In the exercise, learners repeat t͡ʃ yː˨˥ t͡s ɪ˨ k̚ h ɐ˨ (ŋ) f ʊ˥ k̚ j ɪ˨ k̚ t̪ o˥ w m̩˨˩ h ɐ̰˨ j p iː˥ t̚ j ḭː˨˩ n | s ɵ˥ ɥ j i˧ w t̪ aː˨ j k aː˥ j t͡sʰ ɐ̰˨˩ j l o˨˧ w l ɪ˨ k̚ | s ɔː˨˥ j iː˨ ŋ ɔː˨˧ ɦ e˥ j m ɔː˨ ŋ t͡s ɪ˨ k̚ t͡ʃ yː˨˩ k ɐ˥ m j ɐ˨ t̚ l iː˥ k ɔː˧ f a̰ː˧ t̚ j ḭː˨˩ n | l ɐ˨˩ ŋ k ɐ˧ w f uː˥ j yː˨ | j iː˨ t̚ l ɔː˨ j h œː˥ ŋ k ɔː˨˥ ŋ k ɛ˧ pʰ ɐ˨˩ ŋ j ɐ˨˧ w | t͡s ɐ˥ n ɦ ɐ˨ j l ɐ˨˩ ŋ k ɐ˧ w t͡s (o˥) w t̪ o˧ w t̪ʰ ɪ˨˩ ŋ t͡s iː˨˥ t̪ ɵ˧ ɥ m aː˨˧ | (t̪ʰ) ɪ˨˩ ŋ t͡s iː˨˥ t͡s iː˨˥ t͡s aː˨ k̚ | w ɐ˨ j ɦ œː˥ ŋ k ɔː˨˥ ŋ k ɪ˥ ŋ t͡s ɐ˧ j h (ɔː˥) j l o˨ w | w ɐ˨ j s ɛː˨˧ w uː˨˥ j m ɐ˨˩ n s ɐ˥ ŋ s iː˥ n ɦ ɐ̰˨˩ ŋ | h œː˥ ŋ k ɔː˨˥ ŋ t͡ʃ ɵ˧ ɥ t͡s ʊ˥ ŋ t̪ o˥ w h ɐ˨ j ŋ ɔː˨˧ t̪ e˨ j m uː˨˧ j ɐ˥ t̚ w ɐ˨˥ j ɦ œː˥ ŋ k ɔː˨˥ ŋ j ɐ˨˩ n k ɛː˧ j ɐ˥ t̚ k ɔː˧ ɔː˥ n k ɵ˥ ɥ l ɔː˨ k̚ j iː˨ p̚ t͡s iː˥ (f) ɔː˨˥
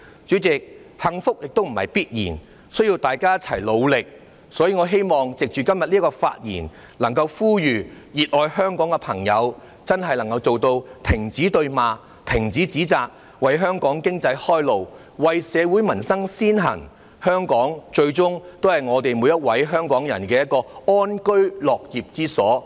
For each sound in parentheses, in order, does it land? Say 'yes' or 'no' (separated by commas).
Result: yes, no, yes, yes, no